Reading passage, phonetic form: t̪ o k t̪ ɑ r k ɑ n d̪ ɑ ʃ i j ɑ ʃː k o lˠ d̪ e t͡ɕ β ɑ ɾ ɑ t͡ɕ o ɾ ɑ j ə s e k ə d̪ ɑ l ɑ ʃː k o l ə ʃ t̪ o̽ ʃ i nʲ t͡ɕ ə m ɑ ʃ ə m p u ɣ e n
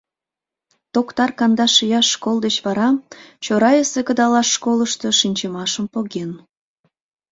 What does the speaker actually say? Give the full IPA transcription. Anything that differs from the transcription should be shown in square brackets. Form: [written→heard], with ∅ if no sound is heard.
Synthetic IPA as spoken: t̪ o k t̪ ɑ r k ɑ n d̪ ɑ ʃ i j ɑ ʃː k o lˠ d̪ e t͡ɕ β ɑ ɾ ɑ t͡ɕ o ɾ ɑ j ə s e k ə d̪ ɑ l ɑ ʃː k o l ə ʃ t̪ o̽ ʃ i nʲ t͡ɕ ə m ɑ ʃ ə m p [u→o] ɣ e n